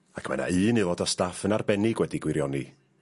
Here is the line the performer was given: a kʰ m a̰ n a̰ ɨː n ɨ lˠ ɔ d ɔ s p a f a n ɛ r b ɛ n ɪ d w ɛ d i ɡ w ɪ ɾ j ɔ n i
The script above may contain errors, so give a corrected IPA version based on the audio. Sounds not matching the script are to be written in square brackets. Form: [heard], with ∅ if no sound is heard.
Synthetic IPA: a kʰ m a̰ n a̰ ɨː n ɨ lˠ ɔ d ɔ s [t] a f [ə] n [a] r b ɛ n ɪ [ɡ] w ɛ d i ɡ w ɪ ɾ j ɔ n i